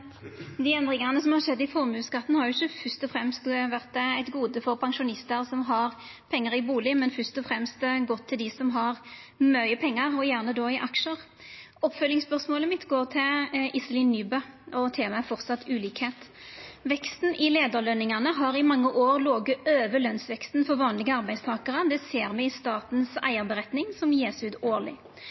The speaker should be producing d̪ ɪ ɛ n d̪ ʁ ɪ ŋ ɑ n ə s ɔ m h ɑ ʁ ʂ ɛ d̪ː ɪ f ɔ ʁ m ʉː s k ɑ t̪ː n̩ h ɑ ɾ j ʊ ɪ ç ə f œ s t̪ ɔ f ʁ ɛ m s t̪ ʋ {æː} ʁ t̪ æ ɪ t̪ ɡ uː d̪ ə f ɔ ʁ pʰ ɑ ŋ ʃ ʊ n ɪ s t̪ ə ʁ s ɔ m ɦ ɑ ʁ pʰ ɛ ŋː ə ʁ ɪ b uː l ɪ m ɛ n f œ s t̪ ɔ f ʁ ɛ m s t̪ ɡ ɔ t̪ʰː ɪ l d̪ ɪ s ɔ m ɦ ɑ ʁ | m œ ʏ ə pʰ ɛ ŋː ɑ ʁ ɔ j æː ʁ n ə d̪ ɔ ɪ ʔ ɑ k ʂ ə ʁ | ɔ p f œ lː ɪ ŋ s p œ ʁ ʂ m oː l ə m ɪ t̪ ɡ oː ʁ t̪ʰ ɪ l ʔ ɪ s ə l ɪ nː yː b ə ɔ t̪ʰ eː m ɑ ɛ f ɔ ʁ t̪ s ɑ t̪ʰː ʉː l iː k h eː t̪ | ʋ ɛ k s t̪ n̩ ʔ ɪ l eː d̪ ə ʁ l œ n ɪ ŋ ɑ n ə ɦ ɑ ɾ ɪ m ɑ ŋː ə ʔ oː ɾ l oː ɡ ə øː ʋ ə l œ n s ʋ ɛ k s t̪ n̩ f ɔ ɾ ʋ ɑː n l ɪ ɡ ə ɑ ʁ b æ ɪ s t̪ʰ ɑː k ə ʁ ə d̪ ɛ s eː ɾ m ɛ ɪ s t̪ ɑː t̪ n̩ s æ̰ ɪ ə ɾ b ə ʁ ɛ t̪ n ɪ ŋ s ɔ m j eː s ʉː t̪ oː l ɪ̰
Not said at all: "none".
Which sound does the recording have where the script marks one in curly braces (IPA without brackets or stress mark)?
æ